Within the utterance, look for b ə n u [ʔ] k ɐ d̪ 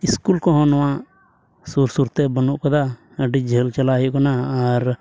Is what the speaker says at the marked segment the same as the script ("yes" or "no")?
yes